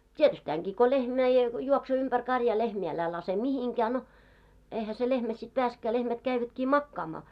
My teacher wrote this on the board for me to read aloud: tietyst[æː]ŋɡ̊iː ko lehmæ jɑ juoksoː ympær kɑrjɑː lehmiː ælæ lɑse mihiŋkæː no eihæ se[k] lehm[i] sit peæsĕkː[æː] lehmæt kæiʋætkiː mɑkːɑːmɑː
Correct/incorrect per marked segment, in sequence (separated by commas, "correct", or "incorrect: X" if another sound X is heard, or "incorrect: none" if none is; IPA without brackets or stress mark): correct, incorrect: none, incorrect: æ, correct